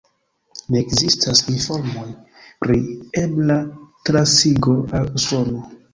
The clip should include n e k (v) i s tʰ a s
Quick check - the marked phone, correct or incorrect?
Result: incorrect